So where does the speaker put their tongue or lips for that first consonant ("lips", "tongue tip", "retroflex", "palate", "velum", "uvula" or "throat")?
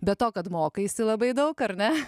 lips